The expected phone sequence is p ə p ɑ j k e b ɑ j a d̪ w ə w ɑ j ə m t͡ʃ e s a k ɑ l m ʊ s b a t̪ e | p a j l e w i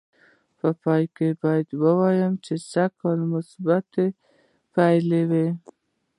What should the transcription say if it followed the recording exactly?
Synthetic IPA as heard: p ə p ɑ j k e b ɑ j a d̪ w ə w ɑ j ə m t͡ʃ e s a k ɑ l m ʊ s b a t̪ e | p a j l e w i